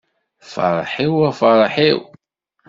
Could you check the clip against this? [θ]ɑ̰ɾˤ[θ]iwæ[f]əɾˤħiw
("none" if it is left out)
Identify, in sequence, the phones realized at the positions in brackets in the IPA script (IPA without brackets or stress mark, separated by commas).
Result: f, ħ, f